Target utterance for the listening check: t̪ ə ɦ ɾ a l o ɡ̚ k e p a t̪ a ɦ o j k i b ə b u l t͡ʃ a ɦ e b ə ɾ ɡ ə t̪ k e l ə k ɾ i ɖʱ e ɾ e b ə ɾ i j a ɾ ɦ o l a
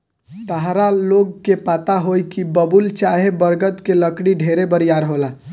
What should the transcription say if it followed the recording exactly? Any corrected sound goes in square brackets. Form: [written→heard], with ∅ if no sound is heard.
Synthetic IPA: t̪ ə ɦ ɾ a l o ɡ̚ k e p a t̪ a ɦ o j k i b ə b u l t͡ʃ a ɦ e b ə ɾ ɡ ə t̪ k e l ə k [ɾ→ɽ] i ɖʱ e ɾ e b ə ɾ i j a ɾ ɦ o l a